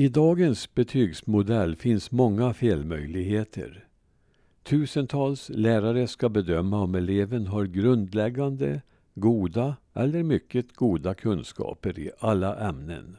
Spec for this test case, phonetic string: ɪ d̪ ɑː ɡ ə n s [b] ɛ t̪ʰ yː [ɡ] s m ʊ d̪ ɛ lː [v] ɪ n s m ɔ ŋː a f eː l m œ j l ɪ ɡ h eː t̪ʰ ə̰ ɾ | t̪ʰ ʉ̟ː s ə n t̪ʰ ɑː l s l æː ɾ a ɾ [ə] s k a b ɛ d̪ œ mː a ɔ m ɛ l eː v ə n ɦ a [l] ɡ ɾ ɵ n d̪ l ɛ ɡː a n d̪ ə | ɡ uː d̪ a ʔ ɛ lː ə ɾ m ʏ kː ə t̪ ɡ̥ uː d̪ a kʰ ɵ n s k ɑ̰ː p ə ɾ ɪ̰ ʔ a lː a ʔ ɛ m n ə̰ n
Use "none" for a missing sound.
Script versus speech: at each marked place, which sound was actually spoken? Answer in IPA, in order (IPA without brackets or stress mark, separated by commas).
b, ɡ, f, ə, ɾ